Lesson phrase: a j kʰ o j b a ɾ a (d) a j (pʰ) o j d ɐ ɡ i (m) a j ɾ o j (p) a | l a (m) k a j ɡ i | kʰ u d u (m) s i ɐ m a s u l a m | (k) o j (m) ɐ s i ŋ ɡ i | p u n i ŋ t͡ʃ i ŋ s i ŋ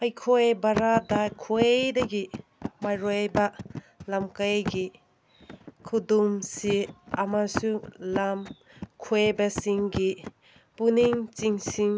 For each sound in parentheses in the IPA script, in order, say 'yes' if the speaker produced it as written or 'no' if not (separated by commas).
yes, no, yes, no, yes, yes, no, no